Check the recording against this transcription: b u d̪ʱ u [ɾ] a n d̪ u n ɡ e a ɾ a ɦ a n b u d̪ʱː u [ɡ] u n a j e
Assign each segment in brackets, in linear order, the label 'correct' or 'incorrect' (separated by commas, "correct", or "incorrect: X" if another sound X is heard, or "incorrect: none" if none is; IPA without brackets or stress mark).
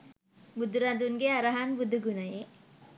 correct, correct